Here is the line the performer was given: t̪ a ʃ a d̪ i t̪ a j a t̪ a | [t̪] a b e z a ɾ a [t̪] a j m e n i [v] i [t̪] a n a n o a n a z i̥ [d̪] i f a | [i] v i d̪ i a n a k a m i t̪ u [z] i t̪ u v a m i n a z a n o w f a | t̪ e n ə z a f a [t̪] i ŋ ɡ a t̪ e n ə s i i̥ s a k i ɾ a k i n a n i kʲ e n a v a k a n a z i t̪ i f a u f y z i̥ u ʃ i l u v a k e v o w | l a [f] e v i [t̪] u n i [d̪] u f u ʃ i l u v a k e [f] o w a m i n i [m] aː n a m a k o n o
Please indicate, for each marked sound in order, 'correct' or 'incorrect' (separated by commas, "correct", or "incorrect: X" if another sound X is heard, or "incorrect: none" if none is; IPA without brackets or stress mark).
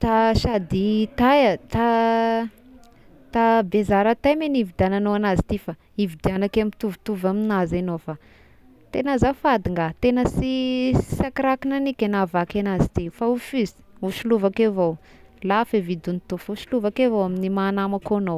correct, correct, correct, incorrect: d̪, incorrect: t̪, correct, incorrect: v, incorrect: d̪, correct, incorrect: d̪, incorrect: t̪, incorrect: v, correct